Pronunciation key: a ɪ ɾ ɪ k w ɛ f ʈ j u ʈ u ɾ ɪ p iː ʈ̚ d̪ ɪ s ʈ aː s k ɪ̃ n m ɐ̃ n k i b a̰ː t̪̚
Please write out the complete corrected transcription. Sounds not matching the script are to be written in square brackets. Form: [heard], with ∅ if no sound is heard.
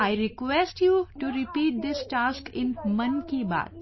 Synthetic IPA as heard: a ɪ ɾ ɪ k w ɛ [s] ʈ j u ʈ u ɾ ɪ p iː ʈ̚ d̪ ɪ s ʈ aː s k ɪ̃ n m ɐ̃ n k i b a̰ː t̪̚